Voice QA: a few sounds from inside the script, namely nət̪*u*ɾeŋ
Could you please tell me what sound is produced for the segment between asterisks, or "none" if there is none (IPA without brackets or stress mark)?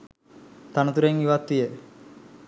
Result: u